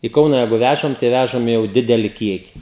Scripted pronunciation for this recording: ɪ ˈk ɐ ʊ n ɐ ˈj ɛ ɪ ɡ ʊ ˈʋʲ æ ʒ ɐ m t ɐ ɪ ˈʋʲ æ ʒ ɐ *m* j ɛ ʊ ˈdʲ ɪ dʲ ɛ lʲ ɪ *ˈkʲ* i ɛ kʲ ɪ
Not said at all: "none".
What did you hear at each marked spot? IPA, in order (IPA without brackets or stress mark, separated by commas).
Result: m, kʲ